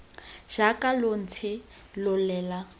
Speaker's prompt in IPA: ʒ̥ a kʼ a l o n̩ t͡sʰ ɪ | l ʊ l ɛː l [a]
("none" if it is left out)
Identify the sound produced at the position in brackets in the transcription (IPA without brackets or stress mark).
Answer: a